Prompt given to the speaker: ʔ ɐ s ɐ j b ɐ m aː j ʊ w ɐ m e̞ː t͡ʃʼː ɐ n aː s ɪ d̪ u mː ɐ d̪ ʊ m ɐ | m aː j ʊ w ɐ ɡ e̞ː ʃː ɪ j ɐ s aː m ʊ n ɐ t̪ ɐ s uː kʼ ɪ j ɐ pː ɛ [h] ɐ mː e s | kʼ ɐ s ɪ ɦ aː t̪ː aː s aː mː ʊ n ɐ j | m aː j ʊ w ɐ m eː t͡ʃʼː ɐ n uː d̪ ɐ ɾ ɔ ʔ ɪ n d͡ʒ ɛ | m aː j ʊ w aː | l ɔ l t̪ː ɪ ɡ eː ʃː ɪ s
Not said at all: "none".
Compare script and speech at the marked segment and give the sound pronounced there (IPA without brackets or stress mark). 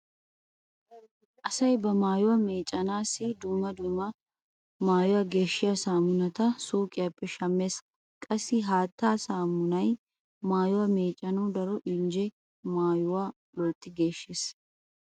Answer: ʃ